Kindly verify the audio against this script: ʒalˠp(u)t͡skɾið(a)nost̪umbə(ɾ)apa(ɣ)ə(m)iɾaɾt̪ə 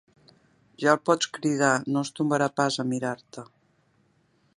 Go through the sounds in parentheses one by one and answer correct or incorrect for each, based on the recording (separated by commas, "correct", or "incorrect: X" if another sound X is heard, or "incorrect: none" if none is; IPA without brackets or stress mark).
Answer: incorrect: ɔ, correct, correct, incorrect: z, correct